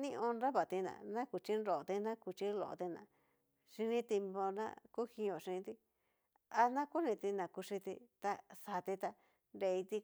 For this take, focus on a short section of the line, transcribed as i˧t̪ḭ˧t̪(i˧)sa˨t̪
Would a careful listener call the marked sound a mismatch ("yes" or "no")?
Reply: yes